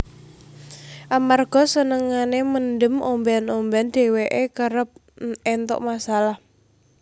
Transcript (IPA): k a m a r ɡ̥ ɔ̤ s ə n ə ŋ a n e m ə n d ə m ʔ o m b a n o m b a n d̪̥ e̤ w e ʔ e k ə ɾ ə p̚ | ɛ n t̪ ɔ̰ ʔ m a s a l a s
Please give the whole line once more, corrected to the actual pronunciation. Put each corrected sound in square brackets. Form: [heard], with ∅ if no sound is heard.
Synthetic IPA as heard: [ʔ] a m a r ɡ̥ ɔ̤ s ə n ə ŋ a n e m ə n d ə m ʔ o m b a n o m b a n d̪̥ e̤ w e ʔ e k ə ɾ ə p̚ | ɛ n t̪ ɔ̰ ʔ m a s a l a [h]